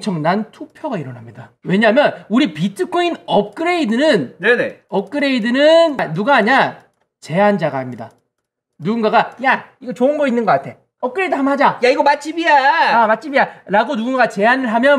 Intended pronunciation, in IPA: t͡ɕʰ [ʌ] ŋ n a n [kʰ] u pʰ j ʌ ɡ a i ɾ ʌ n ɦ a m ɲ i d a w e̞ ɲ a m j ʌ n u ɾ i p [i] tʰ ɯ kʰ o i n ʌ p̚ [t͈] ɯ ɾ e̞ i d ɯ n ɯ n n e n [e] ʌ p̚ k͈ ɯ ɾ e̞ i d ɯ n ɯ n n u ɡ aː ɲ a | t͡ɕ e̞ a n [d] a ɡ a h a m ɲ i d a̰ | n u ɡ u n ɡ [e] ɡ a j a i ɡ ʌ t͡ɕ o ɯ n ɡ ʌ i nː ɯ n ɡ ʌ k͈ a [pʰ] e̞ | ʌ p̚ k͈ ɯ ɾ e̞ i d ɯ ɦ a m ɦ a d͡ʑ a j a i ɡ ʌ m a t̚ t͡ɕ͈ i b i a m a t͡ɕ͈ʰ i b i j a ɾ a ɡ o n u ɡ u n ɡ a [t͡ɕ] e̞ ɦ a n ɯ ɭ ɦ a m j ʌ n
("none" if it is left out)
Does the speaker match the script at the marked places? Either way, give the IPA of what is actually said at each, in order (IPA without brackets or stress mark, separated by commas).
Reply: ʌ, tʰ, i, k͈, e, d͡ʑ, a, tʰ, t͡ɕ